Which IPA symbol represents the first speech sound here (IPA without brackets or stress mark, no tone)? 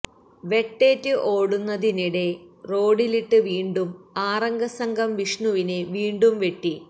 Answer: ʋ